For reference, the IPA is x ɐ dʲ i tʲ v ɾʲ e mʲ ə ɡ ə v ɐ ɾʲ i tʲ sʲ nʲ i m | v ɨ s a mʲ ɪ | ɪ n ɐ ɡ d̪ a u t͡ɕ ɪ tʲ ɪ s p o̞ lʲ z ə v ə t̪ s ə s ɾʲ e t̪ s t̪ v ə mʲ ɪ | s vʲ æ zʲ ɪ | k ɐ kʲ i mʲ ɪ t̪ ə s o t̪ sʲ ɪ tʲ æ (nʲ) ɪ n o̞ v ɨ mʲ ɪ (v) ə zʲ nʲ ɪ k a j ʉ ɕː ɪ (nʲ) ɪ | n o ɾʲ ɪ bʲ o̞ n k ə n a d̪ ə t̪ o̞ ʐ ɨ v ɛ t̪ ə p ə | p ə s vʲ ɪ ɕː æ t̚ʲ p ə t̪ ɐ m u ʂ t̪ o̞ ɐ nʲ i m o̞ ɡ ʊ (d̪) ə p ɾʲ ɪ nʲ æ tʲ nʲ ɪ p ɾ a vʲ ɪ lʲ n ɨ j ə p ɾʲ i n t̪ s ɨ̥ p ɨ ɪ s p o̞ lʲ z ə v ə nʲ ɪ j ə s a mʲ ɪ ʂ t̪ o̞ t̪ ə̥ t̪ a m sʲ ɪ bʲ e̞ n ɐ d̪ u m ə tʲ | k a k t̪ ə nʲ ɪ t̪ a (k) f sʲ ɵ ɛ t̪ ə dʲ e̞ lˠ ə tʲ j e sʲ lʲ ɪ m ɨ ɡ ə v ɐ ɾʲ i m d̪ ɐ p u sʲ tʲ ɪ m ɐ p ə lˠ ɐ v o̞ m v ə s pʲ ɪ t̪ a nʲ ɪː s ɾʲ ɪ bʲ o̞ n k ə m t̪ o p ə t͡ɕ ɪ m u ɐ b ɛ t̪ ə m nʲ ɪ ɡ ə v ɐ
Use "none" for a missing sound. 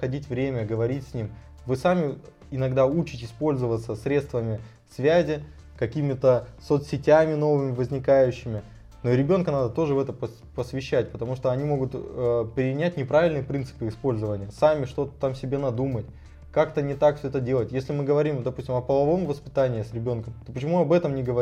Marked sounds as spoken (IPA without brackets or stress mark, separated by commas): mʲ, v, mʲ, t̪, k